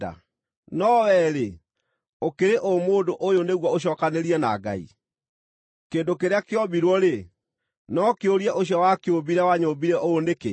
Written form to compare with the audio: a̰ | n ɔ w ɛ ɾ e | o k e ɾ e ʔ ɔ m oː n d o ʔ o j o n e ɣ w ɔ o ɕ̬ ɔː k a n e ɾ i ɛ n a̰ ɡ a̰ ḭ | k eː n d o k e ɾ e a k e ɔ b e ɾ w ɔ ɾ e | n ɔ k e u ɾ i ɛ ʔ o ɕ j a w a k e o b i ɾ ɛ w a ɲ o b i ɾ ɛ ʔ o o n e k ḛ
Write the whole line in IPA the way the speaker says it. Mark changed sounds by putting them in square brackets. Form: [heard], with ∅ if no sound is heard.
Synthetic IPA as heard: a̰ | n ɔ w ɛ ɾ e | o k e ɾ e ʔ [o] m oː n d o ʔ o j o n e ɣ w ɔ o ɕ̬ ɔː k a n e ɾ i ɛ n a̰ ɡ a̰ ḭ | k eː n d o k e ɾ e a k e ɔ b [i] ɾ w ɔ ɾ e | n ɔ k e [o] ɾ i ɛ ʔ o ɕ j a w a k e o b i ɾ ɛ w a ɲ o b i ɾ ɛ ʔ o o n e k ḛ